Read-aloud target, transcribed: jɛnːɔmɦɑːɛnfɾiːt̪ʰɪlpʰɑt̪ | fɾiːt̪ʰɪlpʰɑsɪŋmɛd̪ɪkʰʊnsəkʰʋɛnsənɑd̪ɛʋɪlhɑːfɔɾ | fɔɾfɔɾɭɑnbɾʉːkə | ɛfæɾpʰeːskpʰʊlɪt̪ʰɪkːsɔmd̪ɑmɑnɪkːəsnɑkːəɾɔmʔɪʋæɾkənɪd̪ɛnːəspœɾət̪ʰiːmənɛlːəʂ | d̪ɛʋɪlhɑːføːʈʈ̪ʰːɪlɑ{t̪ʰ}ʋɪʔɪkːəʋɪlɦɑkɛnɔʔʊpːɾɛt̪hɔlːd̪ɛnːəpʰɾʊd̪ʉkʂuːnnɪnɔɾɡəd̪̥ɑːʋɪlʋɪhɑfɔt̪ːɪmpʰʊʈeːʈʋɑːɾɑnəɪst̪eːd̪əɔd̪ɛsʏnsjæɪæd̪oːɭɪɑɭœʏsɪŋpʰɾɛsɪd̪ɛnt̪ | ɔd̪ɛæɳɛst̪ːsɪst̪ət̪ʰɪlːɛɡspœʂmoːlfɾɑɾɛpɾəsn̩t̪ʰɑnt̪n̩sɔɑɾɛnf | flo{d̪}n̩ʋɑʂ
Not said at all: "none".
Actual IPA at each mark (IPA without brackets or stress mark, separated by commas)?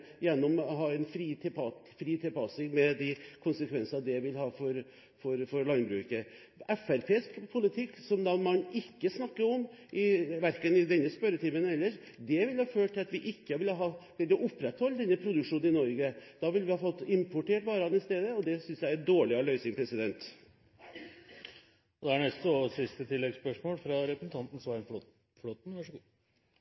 t̪, t̪